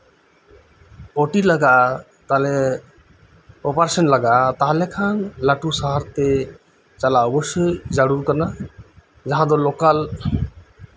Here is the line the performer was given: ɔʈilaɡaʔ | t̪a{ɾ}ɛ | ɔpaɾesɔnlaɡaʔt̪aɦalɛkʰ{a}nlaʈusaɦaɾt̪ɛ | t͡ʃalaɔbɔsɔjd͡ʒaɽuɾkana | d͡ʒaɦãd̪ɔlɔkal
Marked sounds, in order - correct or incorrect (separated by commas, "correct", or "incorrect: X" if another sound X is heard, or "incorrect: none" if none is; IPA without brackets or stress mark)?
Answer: incorrect: l, correct